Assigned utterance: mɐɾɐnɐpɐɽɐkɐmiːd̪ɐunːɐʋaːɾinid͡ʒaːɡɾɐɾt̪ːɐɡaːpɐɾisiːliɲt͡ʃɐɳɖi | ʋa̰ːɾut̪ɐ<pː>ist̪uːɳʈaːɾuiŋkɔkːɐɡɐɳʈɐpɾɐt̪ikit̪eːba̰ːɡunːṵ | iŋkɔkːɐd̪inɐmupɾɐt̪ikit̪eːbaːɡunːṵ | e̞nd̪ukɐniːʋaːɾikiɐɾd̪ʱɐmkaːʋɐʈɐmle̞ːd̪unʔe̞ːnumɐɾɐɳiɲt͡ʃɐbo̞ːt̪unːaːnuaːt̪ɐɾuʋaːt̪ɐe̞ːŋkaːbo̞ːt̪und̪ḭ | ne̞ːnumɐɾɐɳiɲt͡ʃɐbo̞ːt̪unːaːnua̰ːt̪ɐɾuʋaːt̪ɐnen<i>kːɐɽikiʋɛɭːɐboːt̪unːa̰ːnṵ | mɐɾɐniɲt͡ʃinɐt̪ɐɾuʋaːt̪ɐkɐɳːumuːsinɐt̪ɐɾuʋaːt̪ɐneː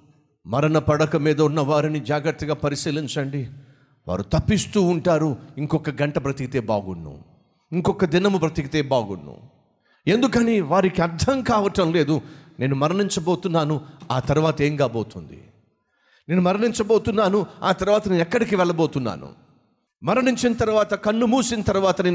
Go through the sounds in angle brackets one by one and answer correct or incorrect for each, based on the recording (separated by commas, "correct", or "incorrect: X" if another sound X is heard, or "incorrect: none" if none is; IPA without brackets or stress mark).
correct, incorrect: ɛ